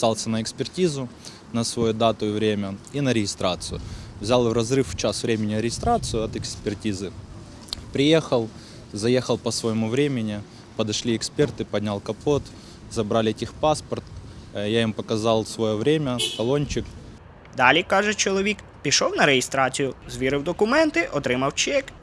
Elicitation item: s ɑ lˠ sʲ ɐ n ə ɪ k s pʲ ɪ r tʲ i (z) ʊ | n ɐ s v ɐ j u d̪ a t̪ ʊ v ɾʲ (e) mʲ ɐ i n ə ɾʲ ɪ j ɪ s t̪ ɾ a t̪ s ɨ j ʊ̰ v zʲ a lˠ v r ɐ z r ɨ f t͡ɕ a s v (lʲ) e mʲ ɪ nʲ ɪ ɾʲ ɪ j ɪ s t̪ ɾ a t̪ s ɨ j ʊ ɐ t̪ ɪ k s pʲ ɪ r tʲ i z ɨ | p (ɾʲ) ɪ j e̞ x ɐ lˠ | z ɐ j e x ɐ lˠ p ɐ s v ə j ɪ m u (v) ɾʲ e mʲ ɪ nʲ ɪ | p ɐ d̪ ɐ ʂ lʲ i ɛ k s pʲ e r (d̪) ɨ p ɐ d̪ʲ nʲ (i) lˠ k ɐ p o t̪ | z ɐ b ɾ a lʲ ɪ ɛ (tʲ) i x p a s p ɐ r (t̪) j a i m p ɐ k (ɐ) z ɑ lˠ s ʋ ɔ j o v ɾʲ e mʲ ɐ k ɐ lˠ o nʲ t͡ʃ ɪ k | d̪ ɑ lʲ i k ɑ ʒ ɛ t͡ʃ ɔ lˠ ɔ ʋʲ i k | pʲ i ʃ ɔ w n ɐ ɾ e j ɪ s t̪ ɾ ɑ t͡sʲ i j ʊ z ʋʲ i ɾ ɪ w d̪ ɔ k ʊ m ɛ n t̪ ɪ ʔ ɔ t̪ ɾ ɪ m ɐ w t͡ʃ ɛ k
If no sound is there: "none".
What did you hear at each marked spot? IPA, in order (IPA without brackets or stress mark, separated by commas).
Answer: z, e, ɾʲ, ɾʲ, v, t̪, a, tʲ, t̪, ɐ